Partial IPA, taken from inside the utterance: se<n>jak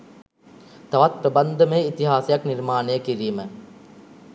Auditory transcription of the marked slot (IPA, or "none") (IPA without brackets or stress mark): none